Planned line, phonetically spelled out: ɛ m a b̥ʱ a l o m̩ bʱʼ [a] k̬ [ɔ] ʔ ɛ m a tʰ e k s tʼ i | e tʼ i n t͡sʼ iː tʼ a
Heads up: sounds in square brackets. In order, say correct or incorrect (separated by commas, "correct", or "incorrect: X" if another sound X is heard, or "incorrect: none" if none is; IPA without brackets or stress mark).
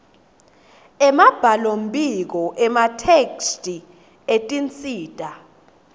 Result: incorrect: i, correct